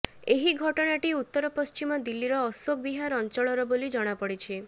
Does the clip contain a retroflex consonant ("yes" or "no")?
yes